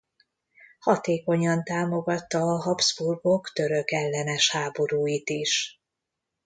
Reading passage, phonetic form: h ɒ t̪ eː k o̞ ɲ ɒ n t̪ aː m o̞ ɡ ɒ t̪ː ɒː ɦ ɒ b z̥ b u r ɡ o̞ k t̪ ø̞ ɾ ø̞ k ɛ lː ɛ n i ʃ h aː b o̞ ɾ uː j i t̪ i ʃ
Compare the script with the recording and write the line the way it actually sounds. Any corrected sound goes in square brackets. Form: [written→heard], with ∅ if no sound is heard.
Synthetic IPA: h ɒ t̪ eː k o̞ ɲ ɒ n t̪ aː m o̞ ɡ ɒ t̪ː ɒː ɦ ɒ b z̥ b u r ɡ o̞ k t̪ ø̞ ɾ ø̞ k ɛ lː ɛ n [i→ɛ] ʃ h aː b o̞ ɾ uː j i t̪ i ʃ